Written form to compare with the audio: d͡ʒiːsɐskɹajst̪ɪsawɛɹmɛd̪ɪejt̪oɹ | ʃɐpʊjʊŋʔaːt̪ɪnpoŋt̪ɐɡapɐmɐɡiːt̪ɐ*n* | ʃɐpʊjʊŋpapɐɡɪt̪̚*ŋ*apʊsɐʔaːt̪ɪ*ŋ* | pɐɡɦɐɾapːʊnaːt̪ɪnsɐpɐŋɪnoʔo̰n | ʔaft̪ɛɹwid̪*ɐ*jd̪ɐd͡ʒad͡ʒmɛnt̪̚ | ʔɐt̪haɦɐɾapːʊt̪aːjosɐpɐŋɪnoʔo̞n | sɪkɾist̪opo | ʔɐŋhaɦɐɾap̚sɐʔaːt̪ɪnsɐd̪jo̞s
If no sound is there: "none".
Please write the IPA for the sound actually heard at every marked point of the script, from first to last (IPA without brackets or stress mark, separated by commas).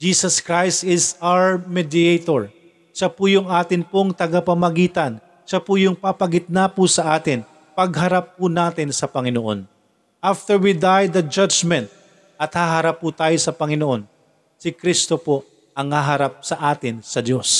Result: n, n, n, a